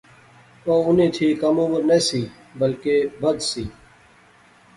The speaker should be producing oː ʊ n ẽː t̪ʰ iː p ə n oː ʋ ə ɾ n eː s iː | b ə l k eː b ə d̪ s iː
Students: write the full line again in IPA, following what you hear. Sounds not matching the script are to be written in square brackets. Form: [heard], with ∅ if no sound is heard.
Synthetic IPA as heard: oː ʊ n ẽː t̪ʰ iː [k] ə [m] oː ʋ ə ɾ n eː s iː | b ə l k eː b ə d̪ s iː